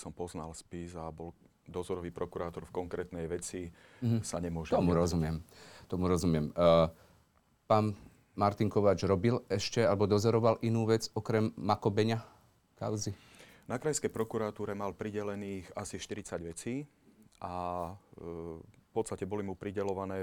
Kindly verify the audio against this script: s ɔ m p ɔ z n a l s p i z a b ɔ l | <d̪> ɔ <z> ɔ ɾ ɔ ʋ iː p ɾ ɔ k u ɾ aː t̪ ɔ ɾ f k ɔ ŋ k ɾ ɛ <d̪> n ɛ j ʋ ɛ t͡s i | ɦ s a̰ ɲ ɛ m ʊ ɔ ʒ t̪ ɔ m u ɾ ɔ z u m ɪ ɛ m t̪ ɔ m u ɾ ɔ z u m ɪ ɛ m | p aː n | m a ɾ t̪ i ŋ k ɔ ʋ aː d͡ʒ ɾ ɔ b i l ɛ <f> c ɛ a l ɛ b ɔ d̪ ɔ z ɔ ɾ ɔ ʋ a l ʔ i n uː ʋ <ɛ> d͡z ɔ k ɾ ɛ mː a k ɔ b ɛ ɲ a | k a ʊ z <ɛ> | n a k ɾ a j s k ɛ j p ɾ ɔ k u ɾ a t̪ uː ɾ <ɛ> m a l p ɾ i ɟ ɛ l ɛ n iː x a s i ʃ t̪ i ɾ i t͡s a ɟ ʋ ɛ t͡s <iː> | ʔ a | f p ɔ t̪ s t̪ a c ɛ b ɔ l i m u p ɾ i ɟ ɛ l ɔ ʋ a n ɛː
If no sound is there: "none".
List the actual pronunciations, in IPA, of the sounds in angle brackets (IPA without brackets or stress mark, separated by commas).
d̪, z, t̪, ʃ, ɛ, i, ɛ, iː